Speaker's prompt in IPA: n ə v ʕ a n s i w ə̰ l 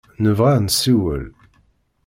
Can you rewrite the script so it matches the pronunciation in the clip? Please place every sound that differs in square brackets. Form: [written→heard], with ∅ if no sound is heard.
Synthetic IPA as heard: n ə v [ʕ→ʁ] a n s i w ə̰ l